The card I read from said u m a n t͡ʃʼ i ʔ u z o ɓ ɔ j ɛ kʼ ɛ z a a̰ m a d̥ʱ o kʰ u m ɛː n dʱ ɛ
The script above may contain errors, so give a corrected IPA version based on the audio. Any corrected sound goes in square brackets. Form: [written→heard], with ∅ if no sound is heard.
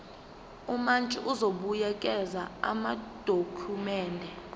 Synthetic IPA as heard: u m a n t͡ʃʼ i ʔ u z o ɓ [ɔ→u] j ɛ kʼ ɛ z a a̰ m a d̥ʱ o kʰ u m ɛː n dʱ ɛ